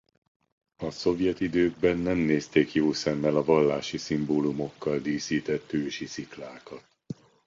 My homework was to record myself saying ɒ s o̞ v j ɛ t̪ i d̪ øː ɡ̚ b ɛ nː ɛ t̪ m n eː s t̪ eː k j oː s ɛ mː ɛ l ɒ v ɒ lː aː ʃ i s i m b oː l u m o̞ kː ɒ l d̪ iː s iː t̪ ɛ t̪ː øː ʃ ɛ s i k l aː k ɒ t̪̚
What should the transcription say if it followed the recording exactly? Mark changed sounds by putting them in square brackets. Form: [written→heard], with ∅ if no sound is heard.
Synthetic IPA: ɒ s o̞ v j ɛ t̪ i d̪ øː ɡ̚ b ɛ nː ɛ [t̪→∅] m n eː s t̪ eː k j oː s ɛ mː ɛ l ɒ v ɒ lː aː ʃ i s i m b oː l u m o̞ kː ɒ l d̪ iː s iː t̪ ɛ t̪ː øː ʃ [ɛ→i] s i k l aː k ɒ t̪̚